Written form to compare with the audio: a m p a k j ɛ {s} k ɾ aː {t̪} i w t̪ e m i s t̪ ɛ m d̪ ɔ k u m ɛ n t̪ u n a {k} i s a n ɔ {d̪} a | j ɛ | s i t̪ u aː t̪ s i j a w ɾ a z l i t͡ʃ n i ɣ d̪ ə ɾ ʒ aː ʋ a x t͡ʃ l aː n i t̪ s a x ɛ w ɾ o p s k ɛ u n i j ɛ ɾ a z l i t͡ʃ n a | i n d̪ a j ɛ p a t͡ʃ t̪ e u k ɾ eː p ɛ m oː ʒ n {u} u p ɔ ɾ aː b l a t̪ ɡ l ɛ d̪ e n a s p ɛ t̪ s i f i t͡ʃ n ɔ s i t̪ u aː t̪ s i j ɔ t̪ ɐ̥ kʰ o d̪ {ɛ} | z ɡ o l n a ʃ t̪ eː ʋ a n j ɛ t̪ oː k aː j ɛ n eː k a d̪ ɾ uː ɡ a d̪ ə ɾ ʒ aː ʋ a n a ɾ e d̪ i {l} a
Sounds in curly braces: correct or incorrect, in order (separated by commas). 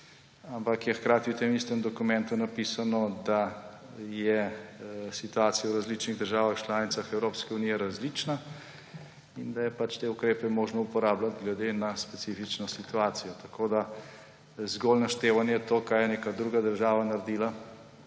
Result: incorrect, correct, incorrect, correct, incorrect, incorrect, correct